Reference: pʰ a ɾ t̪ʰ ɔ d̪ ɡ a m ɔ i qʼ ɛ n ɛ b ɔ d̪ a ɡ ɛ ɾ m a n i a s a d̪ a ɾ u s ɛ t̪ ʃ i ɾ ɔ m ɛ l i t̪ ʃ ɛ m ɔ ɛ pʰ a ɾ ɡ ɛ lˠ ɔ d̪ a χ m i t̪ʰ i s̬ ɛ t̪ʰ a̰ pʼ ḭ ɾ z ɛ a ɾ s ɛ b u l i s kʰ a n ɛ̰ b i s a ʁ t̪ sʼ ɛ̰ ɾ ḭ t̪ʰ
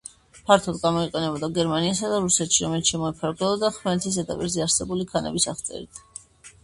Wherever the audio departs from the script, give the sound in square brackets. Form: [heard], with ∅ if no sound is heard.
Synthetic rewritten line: pʰ a ɾ t̪ʰ ɔ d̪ ɡ a m ɔ i qʼ ɛ n ɛ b ɔ d̪ a ɡ ɛ ɾ m a n i a s a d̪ a ɾ u s ɛ t̪ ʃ i ɾ ɔ m ɛ l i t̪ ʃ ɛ m ɔ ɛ pʰ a ɾ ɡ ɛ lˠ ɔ d̪ a χ m [ɛ] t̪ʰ i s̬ ɛ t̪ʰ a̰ pʼ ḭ ɾ z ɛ a ɾ s ɛ b u l i [∅] kʰ a n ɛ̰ b i s a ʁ t̪ sʼ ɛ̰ ɾ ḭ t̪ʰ